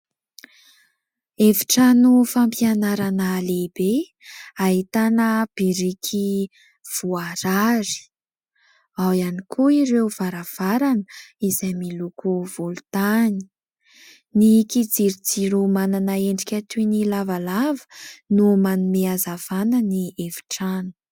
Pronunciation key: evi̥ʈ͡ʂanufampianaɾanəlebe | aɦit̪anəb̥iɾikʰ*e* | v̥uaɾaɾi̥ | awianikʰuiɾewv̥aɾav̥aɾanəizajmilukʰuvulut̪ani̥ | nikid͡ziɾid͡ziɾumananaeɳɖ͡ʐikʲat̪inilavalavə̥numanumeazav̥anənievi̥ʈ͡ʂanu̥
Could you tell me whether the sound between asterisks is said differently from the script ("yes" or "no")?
yes